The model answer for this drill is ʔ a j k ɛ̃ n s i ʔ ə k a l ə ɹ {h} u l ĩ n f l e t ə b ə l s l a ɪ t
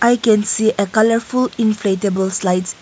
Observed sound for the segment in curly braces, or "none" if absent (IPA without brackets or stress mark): f